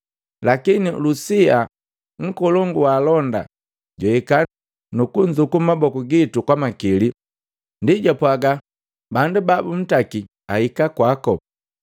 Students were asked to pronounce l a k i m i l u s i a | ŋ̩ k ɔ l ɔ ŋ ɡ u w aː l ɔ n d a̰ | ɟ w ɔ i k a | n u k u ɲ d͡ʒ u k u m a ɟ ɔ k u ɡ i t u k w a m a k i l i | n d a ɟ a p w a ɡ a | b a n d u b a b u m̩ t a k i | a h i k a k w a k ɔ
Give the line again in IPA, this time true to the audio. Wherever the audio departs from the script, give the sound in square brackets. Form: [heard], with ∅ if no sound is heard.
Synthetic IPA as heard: l a k i [n] i l u s i a | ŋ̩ k ɔ l ɔ ŋ ɡ u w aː l ɔ n d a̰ | ɟ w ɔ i k a | n u k u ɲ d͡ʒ u k u m a [b] ɔ k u ɡ i t u k w a m a k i l i | n d [i] ɟ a p w a ɡ a | b a n d u b a b u m̩ t a k i | a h i k a k w a k ɔ